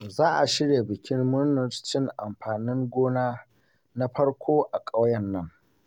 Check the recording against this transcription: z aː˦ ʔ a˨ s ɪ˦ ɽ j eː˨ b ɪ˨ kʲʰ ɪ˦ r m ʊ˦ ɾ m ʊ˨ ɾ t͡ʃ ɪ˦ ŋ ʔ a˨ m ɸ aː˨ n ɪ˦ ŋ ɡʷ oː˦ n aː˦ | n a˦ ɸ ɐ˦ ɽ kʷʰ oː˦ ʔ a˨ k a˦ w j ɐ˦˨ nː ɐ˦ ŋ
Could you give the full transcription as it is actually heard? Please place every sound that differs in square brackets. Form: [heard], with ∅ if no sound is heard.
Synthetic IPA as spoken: z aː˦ ʔ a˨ [ʃ] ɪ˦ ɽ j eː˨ b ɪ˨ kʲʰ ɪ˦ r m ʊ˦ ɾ [n] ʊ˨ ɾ t͡ʃ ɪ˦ ŋ ʔ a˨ m ɸ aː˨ n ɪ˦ ŋ ɡʷ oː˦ n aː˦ | n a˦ ɸ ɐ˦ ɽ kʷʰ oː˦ ʔ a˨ [kʼ] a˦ w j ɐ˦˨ nː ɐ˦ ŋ